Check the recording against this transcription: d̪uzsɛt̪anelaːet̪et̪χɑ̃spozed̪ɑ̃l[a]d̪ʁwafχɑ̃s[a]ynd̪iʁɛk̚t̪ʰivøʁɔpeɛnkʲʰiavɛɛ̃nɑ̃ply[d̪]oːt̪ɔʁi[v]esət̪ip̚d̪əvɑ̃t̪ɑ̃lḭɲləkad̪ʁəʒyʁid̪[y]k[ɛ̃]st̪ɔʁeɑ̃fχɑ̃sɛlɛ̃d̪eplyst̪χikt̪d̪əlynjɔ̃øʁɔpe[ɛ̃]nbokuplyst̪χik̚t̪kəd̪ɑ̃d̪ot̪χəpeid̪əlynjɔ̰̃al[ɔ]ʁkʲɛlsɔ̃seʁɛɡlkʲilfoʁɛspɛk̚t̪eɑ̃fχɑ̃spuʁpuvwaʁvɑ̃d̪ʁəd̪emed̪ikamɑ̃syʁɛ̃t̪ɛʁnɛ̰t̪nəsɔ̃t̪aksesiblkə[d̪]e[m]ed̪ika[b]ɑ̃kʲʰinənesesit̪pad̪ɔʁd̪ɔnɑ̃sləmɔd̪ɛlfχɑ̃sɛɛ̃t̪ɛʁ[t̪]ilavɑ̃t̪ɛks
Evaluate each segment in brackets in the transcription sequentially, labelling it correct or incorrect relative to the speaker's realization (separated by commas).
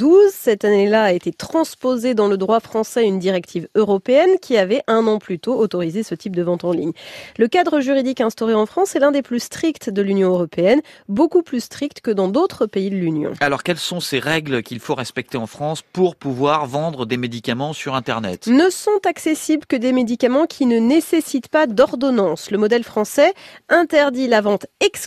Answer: incorrect, incorrect, incorrect, incorrect, incorrect, correct, incorrect, correct, correct, correct, incorrect, incorrect